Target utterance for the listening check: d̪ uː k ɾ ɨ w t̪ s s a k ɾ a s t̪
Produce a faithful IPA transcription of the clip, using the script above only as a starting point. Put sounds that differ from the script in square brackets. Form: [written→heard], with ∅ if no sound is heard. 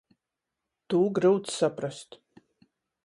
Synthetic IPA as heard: [d̪→t̪] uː [k→ɡ] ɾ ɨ w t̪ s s a [k→p] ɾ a s t̪